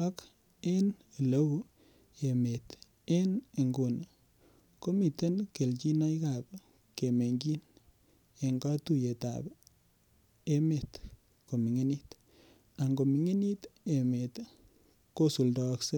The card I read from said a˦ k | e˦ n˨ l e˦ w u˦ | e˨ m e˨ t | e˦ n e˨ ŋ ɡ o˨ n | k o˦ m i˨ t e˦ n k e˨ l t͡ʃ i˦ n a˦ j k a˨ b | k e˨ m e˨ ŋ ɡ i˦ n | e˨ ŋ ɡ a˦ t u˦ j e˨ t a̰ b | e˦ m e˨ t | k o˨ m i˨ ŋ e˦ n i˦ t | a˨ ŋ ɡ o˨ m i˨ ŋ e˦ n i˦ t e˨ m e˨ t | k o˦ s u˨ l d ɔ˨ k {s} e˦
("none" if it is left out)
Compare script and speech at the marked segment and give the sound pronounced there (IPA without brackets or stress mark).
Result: s